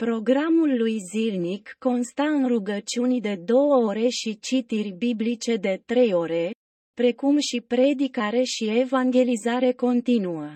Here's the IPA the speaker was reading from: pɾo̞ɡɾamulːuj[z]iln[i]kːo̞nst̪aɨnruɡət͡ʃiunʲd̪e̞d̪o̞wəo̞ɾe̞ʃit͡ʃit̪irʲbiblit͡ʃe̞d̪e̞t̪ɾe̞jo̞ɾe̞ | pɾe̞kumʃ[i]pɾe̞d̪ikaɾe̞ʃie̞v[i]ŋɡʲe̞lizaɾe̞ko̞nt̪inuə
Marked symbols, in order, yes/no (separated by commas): yes, yes, yes, no